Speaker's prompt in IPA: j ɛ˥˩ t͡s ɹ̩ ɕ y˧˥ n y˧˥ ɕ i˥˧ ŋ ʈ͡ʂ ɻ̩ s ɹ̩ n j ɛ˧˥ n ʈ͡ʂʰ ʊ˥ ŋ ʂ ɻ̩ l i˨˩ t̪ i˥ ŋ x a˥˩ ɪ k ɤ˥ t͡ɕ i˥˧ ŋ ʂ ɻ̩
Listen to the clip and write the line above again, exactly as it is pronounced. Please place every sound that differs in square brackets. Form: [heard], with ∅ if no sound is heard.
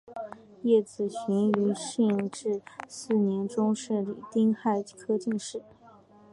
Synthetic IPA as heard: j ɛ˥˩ t͡s ɹ̩ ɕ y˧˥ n y˧˥ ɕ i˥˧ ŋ ʈ͡ʂ ɻ̩ s ɹ̩ n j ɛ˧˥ n [ʈ͡ʂ] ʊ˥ ŋ ʂ ɻ̩ l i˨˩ t̪ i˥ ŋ x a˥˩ ɪ [kʰ] ɤ˥ t͡ɕ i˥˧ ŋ ʂ ɻ̩